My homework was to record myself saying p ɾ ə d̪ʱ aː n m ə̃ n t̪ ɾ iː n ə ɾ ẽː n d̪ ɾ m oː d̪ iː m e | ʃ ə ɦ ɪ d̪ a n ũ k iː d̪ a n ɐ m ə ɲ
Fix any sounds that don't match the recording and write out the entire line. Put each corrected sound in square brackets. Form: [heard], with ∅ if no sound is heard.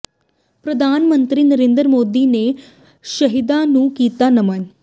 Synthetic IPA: p ɾ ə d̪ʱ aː n m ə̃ n t̪ ɾ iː n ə ɾ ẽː n d̪ ɾ m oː d̪ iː [n] e | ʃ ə ɦ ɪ d̪ a n ũ k iː [t̪] a n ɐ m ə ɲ